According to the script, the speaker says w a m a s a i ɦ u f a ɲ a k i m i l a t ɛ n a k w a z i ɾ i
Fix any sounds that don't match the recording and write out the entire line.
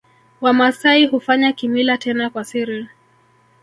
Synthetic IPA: w a m a s a i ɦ u f a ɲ a k i m i l a t ɛ n a k w a s i ɾ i